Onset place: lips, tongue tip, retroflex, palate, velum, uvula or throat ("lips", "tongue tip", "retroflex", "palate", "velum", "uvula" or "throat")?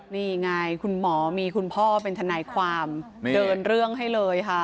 tongue tip